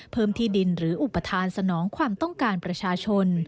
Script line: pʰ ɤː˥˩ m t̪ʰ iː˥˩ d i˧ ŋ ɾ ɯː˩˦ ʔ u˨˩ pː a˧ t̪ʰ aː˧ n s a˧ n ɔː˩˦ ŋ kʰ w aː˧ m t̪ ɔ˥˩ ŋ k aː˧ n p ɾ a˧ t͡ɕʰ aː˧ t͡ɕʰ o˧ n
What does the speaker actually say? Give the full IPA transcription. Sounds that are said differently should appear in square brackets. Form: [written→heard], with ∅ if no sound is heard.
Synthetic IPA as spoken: pʰ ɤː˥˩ m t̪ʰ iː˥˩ d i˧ [ŋ→n] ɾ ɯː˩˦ ʔ u˨˩ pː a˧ t̪ʰ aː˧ n s a˧ n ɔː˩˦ ŋ kʰ w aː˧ m t̪ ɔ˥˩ ŋ k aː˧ n p ɾ a˧ t͡ɕʰ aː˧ t͡ɕʰ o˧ n